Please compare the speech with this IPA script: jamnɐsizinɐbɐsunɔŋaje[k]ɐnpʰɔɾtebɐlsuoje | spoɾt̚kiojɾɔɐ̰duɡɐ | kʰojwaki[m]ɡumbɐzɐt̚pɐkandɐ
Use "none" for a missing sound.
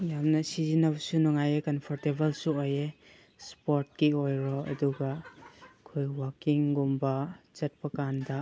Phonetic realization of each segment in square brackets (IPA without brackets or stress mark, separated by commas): k, ŋ